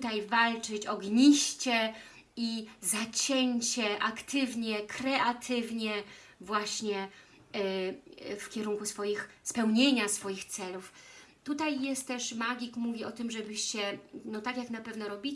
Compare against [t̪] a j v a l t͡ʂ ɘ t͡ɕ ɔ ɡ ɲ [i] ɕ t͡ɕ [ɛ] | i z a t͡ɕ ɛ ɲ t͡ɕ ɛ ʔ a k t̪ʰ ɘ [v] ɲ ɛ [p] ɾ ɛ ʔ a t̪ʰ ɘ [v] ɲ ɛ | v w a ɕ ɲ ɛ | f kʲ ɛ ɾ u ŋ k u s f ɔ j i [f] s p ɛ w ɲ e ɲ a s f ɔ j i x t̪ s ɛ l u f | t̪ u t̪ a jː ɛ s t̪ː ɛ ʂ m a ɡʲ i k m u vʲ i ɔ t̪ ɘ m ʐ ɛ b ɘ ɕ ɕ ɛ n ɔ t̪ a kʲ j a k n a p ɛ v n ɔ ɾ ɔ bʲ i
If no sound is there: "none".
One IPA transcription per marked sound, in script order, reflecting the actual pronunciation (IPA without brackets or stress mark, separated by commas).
t̪, i, ɛ, v, k, v, x